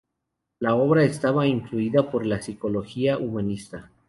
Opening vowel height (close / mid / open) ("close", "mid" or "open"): open